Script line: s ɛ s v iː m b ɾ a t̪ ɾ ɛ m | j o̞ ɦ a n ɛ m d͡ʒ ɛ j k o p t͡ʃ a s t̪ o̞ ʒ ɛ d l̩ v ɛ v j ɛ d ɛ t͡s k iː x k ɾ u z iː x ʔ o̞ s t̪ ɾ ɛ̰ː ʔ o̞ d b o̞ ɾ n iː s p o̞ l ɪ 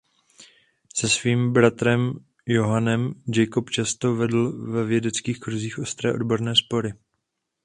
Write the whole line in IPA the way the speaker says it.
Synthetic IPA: s ɛ s v iː m b ɾ a t̪ ɾ ɛ m | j o̞ ɦ a n ɛ m d͡ʒ ɛ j k o p t͡ʃ a s t̪ o̞ v ɛ d l̩ v ɛ v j ɛ d ɛ t͡s k iː x k ɾ u z iː x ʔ o̞ s t̪ ɾ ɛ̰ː ʔ o̞ d b o̞ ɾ n ɛː s p o̞ ɾ ɪ